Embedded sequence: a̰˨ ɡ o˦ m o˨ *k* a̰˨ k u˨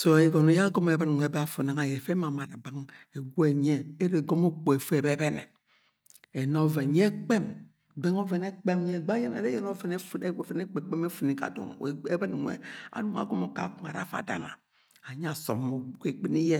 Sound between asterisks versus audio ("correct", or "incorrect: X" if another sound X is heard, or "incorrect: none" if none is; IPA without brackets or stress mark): correct